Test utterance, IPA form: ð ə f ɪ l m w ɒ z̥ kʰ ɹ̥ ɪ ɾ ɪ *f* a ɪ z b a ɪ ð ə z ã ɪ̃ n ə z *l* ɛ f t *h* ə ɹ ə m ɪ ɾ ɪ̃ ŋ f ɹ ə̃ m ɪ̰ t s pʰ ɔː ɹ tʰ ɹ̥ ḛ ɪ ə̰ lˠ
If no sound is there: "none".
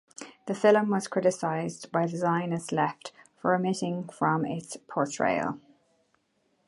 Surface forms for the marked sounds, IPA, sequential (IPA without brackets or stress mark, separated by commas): s, l, f